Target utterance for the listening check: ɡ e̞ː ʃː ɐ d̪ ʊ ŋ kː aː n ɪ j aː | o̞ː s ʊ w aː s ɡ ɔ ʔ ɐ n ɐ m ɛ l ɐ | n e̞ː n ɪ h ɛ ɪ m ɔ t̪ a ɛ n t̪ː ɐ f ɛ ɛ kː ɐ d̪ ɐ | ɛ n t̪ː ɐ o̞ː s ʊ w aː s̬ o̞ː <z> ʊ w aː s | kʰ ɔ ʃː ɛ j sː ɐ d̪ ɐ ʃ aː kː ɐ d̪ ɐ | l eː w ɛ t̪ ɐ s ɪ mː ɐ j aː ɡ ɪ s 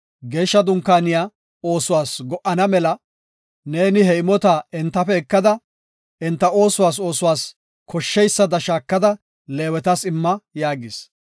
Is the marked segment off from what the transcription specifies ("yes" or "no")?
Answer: yes